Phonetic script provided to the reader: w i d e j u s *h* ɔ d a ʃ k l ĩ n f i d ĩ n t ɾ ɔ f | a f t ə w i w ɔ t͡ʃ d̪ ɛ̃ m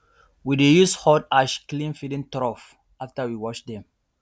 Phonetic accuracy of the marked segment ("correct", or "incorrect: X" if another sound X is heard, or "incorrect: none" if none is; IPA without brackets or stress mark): correct